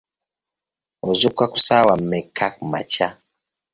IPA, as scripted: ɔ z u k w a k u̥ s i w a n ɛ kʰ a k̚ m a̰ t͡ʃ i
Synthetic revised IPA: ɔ z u k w a k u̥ s a w a m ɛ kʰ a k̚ m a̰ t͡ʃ a